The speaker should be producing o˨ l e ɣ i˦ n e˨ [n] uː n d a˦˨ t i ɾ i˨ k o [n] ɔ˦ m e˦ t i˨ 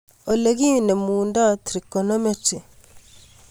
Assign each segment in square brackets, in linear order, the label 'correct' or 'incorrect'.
incorrect, correct

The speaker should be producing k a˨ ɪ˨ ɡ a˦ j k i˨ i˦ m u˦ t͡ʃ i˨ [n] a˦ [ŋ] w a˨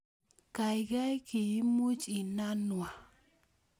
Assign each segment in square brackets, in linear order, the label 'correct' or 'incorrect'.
correct, incorrect

